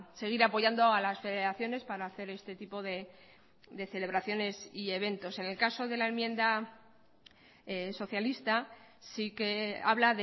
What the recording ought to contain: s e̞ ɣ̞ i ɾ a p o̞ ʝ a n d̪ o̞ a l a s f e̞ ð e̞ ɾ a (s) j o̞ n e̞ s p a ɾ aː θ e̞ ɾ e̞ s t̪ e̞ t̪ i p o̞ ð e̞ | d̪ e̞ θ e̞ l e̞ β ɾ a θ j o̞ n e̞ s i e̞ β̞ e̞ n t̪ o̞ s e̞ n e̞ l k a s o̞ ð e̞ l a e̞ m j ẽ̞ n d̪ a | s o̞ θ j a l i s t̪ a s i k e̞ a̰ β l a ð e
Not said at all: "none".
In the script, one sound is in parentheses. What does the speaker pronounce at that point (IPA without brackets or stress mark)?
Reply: θ